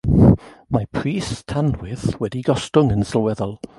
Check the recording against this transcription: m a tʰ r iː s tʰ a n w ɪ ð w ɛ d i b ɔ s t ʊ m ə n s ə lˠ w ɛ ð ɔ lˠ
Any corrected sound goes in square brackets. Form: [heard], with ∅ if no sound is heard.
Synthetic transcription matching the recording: m a [pʰ] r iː s tʰ a n w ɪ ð w ɛ d i [ɡ] ɔ s t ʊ [ŋ] ə n s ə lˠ w ɛ ð ɔ lˠ